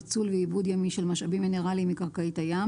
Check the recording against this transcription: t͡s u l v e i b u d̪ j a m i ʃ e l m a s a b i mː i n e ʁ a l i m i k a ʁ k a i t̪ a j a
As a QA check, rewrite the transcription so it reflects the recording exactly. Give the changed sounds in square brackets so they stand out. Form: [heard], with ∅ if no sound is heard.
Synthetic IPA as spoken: t͡s u l v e i b u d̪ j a m i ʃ e l m a [ʃ] a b i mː i n e ʁ a l i m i k a ʁ k a i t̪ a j a